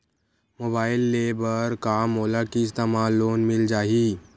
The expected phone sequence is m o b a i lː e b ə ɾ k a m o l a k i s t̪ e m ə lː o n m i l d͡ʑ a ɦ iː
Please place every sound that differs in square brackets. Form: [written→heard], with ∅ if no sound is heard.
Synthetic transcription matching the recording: m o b a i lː e b ə ɾ k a m o l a k i s t̪ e m [ə→a] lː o n m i l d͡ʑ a ɦ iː